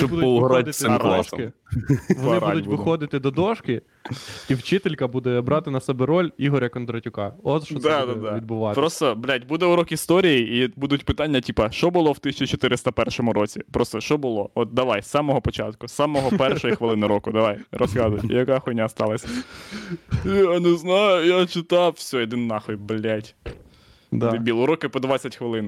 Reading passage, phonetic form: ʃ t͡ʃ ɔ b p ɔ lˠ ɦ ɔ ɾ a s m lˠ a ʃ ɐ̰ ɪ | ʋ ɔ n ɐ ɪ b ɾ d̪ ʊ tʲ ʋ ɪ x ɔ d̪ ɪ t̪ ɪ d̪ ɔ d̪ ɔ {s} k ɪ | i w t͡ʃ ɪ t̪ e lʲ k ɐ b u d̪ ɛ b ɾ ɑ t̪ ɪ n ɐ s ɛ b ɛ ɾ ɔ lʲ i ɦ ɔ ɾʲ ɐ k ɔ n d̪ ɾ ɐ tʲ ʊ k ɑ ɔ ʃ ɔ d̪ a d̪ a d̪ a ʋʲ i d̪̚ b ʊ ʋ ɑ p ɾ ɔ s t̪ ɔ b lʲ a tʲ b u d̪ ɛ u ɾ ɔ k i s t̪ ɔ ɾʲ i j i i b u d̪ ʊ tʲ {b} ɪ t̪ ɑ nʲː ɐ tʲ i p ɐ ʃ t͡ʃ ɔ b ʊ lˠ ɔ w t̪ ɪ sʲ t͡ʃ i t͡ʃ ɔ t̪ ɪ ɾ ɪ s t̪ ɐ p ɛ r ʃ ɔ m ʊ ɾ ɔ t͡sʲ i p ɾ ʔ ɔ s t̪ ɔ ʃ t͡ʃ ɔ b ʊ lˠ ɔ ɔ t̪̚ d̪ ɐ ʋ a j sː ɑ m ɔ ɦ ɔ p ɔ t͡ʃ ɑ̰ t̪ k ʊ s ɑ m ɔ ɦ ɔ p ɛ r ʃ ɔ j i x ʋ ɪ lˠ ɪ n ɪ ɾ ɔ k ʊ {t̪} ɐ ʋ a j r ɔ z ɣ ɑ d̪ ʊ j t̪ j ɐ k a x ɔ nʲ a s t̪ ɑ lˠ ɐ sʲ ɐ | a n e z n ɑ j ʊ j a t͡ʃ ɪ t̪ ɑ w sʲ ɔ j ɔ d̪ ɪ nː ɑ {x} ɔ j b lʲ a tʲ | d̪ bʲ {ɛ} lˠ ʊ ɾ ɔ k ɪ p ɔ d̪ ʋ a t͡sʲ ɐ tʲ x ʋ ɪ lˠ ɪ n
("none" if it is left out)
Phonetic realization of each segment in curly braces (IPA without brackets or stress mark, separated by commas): ʃ, p, d̪, x, i